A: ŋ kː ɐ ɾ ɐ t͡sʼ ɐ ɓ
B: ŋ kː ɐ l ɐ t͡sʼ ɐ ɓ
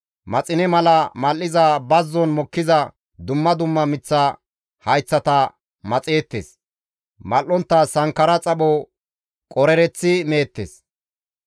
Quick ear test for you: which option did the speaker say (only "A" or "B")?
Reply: A